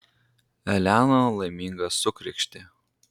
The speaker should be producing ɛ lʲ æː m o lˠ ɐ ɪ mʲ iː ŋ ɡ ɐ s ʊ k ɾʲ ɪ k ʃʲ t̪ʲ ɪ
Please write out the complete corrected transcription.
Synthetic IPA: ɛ lʲ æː n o lˠ ɐ ɪ mʲ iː ŋ ɡ ɐ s ʊ k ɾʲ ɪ k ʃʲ t̪ʲ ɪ